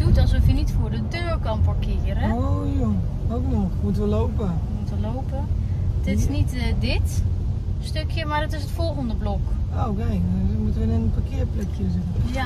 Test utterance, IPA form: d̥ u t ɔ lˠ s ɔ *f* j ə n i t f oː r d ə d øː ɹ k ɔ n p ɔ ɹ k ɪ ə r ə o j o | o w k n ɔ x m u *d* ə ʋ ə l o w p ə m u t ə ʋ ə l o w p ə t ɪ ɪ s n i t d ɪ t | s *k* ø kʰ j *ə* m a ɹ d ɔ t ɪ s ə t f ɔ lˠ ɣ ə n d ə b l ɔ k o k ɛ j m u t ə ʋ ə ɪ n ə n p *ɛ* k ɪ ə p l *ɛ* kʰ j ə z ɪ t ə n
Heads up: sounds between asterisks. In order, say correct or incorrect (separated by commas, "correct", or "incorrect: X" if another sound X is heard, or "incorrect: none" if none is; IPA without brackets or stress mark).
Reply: correct, incorrect: t, incorrect: t, correct, incorrect: a, correct